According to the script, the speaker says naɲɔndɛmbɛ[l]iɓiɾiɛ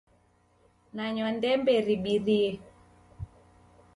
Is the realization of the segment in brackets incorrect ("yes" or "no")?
yes